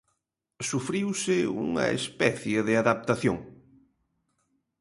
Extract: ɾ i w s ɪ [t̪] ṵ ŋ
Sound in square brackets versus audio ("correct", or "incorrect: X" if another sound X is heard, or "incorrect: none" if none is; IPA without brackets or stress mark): incorrect: none